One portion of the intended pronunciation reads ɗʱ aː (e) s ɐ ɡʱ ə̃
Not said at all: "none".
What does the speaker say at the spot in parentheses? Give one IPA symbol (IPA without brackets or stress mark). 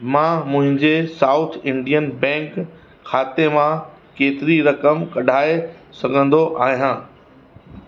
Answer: e